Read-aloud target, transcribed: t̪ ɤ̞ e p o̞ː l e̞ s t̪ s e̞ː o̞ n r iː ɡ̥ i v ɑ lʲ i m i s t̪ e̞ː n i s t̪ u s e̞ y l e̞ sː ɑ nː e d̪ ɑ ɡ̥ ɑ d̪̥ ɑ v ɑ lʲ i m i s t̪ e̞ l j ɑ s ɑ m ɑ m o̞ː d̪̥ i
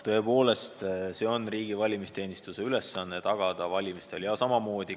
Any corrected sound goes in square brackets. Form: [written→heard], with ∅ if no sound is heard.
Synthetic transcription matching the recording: t̪ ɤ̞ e p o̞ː l e̞ s t̪ s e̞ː o̞ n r iː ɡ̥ i v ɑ lʲ i m i s t̪ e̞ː n i s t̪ u s e̞ y l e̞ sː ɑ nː e [d̪→t̪] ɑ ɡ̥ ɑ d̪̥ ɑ v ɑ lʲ i m i s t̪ e̞ l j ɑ s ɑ m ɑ m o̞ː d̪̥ i